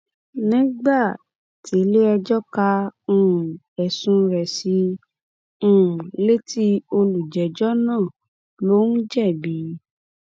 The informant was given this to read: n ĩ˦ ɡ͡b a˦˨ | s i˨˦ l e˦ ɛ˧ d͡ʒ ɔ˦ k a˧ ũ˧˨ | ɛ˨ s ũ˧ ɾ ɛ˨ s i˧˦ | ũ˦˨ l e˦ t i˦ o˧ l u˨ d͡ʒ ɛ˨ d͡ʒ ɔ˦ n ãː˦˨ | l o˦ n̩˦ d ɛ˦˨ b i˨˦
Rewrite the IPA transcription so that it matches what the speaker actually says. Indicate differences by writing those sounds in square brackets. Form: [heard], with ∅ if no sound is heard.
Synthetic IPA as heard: n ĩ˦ ɡ͡b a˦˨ | [t] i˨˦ l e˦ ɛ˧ d͡ʒ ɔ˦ k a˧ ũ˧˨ | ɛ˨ s ũ˧ ɾ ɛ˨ s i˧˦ | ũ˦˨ l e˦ t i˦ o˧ l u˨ d͡ʒ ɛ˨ d͡ʒ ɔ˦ n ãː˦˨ | l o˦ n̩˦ [d͡ʒ] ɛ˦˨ b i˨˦